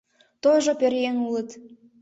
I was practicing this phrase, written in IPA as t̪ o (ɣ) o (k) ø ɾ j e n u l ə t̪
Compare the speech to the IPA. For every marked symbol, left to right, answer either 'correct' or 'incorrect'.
incorrect, incorrect

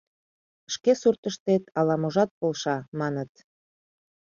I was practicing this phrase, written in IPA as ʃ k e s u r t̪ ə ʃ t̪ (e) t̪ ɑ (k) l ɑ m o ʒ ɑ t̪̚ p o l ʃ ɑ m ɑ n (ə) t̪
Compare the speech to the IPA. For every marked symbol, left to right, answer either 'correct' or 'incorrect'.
correct, incorrect, correct

